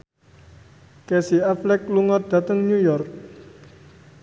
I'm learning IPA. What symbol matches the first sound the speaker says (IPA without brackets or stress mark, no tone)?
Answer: k